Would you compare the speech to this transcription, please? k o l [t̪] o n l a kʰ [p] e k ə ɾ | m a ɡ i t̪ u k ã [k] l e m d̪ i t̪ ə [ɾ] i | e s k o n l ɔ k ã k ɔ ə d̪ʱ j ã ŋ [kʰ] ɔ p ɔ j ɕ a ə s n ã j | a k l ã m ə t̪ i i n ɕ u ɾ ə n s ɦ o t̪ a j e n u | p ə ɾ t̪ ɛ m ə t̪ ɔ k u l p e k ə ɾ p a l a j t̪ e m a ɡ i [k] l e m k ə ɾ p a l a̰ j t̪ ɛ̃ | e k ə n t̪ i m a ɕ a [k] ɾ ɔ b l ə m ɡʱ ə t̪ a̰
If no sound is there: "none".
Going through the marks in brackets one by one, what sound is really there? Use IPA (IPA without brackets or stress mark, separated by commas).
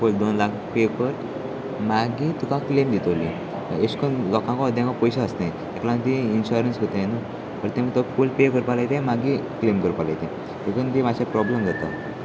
d̪, p, k, l, k, k, p